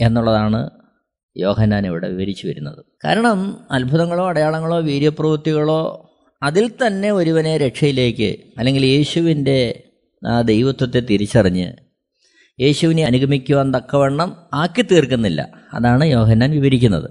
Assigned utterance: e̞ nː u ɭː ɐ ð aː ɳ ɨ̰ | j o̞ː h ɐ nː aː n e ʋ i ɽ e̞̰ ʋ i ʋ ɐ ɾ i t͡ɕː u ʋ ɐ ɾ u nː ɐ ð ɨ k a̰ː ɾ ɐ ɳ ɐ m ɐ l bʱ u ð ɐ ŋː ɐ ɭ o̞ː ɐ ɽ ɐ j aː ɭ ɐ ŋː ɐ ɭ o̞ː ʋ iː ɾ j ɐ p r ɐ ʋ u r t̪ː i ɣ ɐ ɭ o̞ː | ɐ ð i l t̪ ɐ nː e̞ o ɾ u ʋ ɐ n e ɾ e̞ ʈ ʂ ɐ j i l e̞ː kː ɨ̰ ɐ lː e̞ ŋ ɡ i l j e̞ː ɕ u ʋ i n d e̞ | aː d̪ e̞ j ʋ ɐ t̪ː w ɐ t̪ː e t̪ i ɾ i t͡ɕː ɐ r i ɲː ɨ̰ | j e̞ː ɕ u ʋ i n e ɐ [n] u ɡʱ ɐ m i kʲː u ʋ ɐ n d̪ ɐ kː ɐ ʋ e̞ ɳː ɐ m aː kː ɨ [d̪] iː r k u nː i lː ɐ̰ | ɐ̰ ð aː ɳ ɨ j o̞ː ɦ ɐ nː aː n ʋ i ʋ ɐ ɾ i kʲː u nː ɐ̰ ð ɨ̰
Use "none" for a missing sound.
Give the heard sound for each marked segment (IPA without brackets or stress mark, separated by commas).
n, t̪